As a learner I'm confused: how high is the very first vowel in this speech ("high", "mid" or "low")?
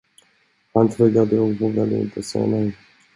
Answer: low